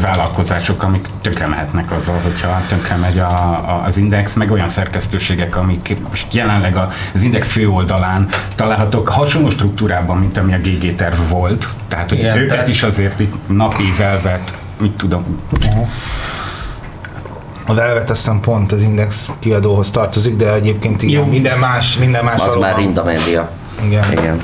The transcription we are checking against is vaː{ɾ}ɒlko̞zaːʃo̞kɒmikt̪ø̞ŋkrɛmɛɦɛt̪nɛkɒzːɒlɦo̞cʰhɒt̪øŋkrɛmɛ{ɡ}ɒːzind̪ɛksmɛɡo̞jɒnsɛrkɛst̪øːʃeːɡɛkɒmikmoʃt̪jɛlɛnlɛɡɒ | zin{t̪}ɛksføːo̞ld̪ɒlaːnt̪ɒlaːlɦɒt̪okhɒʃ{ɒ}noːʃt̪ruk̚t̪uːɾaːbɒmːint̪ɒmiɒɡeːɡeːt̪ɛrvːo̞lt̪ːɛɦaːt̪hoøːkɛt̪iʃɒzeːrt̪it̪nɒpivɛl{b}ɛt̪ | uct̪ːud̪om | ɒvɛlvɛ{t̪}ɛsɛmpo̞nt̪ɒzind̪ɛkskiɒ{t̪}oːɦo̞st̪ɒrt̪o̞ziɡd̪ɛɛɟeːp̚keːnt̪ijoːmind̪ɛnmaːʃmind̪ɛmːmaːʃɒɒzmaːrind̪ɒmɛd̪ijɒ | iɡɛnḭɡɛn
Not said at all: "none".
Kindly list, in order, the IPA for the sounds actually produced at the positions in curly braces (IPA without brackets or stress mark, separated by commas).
l, ɟ, d̪, o, v, t̪, d̪